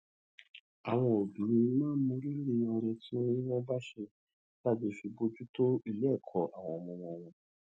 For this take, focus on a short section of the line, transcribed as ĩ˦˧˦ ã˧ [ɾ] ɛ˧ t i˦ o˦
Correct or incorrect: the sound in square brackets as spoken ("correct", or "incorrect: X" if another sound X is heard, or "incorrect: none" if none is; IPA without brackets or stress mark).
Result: correct